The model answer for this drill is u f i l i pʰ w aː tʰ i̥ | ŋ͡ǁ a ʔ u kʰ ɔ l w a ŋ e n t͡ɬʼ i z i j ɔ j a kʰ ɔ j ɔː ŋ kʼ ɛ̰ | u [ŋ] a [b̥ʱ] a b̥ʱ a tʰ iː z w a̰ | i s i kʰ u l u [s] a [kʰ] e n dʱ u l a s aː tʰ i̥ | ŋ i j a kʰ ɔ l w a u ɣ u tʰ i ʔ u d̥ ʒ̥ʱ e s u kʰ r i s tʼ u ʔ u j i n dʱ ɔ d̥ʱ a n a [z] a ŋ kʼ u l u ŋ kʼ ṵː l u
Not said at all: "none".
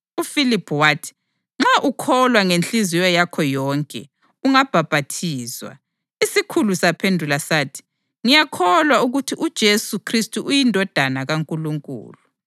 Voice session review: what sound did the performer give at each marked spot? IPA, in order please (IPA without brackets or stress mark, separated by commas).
ŋ, b̥ʱ, s, pʰ, ɣ